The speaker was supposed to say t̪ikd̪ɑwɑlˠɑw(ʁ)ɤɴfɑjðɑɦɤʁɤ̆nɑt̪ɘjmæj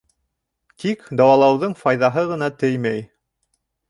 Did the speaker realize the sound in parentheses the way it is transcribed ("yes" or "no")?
no